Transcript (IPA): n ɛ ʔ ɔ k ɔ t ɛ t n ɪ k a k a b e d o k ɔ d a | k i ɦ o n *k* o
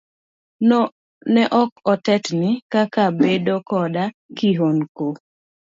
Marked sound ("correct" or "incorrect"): correct